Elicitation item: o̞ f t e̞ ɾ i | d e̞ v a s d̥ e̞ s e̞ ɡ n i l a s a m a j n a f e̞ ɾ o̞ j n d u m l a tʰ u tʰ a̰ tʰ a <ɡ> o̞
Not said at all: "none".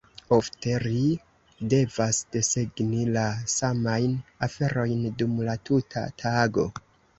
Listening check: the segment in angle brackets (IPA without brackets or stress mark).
ɡ